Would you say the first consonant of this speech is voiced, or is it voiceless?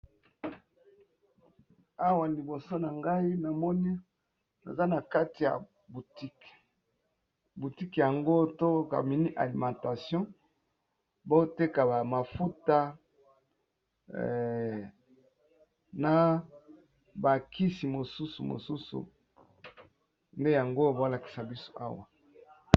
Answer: voiced